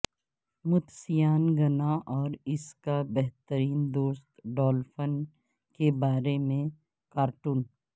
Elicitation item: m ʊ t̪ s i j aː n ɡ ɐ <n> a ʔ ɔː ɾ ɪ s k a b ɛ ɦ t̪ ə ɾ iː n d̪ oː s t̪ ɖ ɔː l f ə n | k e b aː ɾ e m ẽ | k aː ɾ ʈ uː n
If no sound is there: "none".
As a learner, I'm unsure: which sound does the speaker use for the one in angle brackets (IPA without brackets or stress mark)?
n